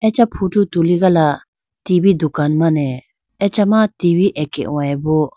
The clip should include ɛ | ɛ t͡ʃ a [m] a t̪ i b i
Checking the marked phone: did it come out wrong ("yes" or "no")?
no